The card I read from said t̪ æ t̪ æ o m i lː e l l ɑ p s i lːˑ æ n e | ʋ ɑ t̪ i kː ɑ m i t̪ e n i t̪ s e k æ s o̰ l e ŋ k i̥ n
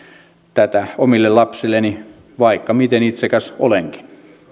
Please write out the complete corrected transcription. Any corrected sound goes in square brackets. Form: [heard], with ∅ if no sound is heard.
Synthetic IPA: t̪ æ t̪ æ o m i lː e l l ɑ p s i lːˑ [e] n [i] | ʋ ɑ [∅] i kː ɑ m i t̪ e n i t̪ s e k æ s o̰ l e ŋ k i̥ n